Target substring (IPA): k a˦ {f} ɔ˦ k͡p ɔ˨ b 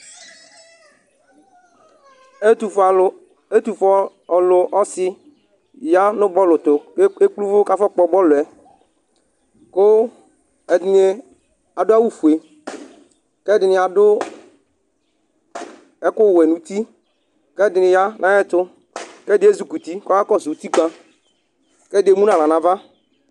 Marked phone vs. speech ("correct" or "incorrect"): correct